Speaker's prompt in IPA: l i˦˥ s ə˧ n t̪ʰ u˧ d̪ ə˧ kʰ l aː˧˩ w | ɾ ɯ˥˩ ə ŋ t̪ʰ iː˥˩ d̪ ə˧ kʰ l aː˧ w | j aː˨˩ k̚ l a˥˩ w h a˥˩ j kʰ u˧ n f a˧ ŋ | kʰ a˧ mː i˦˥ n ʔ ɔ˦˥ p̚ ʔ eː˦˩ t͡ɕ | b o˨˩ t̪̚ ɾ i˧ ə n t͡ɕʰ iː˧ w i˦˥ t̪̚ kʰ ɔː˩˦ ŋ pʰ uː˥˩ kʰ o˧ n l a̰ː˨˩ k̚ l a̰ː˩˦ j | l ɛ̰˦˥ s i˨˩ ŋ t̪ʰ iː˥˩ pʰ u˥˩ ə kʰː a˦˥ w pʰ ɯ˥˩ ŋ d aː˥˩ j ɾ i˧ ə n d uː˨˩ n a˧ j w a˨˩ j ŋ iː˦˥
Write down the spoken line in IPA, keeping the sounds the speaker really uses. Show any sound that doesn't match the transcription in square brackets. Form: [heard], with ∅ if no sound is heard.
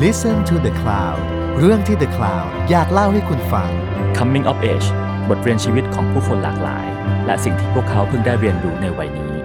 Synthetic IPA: l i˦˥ s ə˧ n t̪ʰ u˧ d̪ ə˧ kʰ l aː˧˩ w | ɾ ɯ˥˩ ə ŋ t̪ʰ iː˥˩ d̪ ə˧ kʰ l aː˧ w | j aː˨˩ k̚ l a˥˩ w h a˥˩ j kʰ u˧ n f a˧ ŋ | kʰ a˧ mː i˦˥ [ŋ] ʔ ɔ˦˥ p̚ ʔ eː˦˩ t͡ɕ | b o˨˩ t̪̚ ɾ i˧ ə n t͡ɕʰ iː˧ w i˦˥ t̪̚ kʰ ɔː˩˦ ŋ pʰ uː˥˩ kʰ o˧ n l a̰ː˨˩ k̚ l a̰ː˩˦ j | l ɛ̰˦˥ s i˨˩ ŋ t̪ʰ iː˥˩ pʰ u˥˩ ə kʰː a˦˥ w pʰ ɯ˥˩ ŋ d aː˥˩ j ɾ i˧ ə n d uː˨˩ n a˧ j w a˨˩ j [n] iː˦˥